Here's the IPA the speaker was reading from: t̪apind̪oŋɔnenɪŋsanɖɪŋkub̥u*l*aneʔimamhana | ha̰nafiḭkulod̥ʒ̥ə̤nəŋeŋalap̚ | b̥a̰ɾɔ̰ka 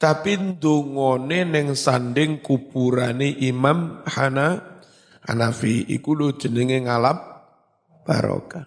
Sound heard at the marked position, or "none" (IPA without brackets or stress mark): ɾ